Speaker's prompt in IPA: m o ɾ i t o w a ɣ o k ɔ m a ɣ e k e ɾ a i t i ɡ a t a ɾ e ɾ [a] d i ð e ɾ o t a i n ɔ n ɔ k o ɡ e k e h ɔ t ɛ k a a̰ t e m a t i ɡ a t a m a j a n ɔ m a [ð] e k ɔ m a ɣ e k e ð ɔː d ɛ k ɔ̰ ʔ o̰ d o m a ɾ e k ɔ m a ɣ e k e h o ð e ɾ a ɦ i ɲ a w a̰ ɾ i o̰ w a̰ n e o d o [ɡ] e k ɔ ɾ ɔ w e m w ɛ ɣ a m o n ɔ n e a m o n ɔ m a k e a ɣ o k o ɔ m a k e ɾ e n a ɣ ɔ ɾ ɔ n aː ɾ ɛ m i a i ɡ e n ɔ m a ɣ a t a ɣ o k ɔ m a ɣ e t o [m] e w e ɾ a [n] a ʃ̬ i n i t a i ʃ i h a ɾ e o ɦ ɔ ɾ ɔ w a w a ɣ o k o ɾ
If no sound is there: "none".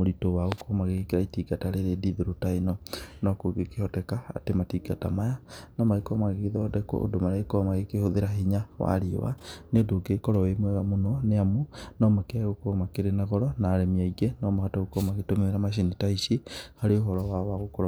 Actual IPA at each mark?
e, ɣ, ɡ, m, m

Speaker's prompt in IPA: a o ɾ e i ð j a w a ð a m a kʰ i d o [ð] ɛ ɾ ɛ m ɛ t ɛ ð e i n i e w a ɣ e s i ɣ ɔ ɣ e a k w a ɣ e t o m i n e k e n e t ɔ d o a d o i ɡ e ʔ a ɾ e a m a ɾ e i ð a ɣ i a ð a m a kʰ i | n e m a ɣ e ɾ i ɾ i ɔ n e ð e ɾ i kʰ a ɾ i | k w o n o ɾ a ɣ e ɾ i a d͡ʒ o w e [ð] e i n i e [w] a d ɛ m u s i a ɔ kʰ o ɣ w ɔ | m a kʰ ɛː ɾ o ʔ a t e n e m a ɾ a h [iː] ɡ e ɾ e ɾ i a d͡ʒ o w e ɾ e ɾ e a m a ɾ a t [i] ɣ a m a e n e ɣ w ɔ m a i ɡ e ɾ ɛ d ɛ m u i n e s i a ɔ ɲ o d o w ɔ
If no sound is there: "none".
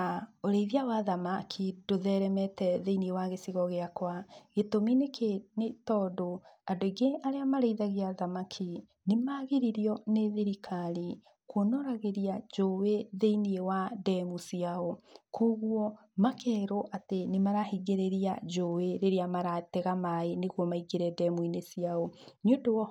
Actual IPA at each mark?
ð, ð, w, i, ɛ

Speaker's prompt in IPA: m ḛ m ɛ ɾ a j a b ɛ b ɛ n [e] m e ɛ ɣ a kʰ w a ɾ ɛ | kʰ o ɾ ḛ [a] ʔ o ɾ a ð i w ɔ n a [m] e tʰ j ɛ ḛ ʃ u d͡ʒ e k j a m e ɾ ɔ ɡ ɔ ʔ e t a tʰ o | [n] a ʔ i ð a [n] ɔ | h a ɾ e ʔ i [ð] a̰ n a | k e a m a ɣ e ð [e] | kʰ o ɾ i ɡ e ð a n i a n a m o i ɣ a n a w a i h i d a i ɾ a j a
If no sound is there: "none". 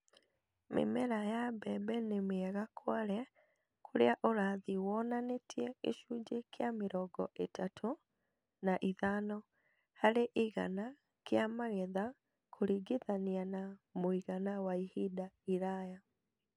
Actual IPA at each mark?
e, a, n, n, n, ɣ, a

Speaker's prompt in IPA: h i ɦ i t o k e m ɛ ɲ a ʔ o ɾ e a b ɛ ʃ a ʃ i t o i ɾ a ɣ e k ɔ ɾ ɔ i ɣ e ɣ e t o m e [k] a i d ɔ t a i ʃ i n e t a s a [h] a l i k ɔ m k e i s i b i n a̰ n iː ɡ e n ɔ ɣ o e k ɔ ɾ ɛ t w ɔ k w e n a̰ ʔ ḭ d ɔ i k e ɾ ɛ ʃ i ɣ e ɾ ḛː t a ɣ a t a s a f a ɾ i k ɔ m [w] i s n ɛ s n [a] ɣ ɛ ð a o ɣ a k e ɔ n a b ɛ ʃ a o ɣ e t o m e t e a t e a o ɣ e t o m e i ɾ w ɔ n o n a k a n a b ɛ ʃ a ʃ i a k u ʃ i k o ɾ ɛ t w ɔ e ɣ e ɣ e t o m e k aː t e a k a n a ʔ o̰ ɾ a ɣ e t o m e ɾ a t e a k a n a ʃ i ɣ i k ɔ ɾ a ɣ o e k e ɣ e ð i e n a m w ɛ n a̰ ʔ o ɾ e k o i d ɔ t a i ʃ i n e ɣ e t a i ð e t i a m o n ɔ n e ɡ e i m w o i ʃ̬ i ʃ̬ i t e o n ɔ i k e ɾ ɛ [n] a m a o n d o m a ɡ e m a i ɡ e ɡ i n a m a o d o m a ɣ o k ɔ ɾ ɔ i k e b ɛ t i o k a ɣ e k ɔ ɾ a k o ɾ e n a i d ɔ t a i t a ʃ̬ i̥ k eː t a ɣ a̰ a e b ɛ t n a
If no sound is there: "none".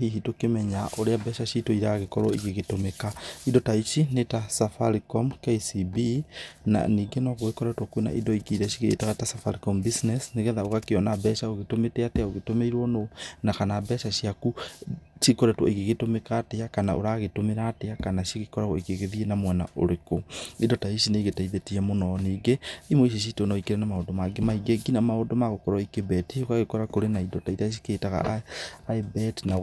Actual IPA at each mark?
k, f, b, e, n

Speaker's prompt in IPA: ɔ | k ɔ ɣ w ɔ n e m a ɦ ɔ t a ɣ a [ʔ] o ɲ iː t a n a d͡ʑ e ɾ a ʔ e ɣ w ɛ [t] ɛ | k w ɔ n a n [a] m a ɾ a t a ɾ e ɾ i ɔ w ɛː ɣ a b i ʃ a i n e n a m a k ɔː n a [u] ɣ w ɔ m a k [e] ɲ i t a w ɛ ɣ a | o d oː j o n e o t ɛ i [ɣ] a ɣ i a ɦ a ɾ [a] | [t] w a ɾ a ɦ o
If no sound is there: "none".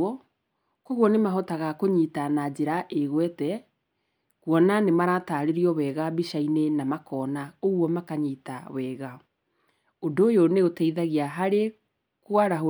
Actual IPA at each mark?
k, t, e, o, a, ð, e, k

